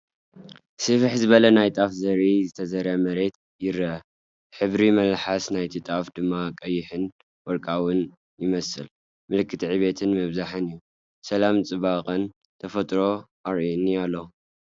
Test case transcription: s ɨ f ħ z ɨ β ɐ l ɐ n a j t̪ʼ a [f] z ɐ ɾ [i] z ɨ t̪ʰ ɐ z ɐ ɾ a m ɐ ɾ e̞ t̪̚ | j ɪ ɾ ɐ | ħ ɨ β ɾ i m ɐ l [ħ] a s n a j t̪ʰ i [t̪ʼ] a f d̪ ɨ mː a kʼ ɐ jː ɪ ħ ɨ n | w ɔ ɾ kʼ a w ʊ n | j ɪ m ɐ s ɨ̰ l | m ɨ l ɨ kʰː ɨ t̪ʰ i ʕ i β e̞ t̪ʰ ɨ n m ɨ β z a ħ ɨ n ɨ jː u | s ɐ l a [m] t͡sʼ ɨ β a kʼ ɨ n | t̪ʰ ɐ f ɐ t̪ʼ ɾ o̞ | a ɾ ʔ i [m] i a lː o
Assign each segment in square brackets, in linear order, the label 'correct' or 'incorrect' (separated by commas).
correct, correct, correct, correct, correct, incorrect